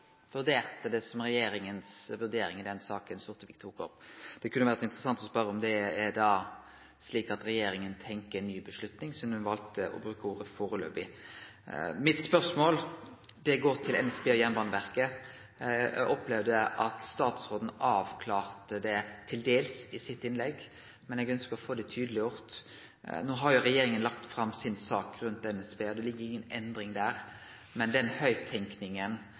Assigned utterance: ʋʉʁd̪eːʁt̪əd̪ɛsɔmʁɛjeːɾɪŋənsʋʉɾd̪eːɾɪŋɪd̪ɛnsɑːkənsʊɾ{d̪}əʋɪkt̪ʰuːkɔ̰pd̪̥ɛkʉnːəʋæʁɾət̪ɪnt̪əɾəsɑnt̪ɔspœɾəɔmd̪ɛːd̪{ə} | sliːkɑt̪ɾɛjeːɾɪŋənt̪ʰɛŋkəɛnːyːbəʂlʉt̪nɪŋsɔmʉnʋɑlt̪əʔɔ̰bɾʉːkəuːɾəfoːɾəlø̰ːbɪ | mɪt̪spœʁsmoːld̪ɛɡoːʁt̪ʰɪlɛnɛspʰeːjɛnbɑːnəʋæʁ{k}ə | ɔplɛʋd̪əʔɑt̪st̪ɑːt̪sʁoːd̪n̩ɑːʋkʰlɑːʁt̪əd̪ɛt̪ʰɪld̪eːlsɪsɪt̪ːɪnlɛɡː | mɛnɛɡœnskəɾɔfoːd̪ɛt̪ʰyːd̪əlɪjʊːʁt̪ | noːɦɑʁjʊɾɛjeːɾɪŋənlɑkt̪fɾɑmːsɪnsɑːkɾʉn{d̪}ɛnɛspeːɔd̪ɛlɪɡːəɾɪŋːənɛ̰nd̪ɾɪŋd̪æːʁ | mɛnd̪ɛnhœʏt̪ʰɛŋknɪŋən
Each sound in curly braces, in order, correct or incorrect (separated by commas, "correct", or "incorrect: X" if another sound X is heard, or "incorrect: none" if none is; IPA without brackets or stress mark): incorrect: t̪, incorrect: ɑ, correct, incorrect: t̪